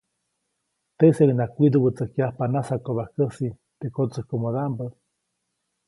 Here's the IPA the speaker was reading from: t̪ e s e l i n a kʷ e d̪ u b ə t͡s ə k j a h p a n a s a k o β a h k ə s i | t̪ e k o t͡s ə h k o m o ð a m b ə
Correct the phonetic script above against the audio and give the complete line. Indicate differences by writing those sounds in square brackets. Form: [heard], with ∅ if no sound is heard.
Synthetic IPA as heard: t̪ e s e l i n a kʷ [i] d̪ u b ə t͡s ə k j a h p a n a s a k o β a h k ə s i | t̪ e k o t͡s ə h k o m o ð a m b ə